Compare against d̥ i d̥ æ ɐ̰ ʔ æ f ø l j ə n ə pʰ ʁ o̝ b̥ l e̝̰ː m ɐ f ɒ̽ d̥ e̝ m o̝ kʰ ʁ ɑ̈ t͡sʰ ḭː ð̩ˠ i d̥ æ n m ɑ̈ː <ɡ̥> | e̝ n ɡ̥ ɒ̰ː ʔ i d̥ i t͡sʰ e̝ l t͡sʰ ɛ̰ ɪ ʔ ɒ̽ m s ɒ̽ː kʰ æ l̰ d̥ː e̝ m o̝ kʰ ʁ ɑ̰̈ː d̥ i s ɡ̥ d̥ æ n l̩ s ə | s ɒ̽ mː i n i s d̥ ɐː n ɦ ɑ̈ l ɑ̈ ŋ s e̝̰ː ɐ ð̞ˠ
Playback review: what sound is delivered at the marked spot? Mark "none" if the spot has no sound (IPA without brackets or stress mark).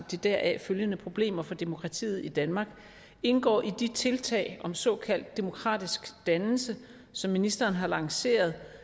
ɡ̥